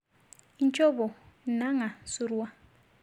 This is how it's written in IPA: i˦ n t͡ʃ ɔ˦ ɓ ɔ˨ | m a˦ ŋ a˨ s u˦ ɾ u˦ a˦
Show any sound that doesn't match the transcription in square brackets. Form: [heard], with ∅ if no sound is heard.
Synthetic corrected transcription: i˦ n [t͡ʃʼ] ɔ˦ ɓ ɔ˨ | [n] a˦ ŋ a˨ s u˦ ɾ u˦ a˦